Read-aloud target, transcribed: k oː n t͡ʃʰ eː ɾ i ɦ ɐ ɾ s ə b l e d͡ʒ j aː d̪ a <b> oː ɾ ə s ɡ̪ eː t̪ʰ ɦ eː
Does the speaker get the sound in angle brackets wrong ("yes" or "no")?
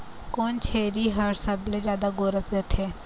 yes